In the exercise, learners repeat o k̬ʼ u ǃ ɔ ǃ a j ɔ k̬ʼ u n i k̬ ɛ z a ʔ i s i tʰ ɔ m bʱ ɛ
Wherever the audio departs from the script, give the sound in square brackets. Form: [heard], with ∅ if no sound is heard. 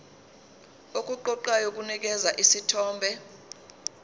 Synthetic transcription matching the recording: o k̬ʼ u ǃ ɔ ǃ a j [o] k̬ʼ u n i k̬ ɛ z a ʔ i s i tʰ [ɔː] m bʱ ɛ